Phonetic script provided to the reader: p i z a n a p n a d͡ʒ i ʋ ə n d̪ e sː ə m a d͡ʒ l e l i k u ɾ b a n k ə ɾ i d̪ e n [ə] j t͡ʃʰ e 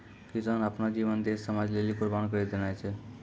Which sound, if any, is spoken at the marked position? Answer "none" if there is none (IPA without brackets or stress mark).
a